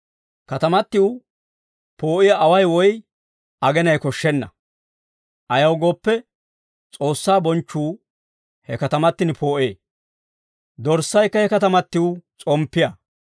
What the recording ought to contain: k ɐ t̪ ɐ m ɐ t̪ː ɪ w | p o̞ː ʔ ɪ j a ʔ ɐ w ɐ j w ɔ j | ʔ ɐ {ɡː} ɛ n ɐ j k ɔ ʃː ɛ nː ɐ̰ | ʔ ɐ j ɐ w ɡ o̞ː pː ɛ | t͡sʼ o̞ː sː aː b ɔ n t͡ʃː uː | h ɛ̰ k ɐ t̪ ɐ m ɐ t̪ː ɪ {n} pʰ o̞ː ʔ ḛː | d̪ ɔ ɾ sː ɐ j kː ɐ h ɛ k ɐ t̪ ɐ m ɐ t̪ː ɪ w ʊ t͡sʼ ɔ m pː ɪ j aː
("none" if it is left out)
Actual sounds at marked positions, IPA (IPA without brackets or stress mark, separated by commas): ɡ, n